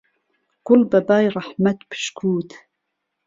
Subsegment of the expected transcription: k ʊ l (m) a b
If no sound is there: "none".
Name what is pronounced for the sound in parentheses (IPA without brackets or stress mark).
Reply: b